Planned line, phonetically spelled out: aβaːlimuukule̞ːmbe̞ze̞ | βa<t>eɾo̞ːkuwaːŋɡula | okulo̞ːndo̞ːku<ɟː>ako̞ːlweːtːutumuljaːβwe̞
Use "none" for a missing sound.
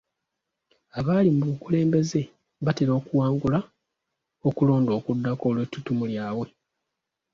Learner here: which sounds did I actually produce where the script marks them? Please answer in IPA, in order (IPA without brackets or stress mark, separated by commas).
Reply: t, dː